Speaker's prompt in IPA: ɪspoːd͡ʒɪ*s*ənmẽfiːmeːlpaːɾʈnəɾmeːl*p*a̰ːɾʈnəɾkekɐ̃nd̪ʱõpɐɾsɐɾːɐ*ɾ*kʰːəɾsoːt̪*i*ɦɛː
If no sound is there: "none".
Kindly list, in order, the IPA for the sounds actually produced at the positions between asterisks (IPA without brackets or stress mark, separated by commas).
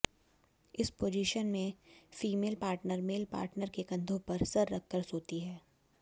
ʃ, p, none, i